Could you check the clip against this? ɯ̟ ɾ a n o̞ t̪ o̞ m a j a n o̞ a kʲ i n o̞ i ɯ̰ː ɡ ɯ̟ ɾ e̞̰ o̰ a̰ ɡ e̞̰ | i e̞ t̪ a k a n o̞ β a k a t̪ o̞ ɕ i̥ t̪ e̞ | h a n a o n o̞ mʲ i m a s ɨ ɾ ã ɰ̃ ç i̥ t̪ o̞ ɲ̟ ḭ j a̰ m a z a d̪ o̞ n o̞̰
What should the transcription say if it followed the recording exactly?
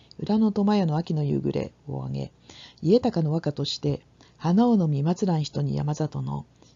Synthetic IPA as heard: ɯ̟ ɾ a n o̞ t̪ o̞ m a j a n o̞ a kʲ i n o̞ j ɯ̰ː ɡ ɯ̟ ɾ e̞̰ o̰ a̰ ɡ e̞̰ | i e̞ t̪ a k a n o̞ β a k a t̪ o̞ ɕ i̥ t̪ e̞ | h a n a o n o̞ mʲ i m a t͡s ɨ ɾ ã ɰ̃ ç i̥ t̪ o̞ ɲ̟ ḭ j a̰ m a z a t̪ o̞ n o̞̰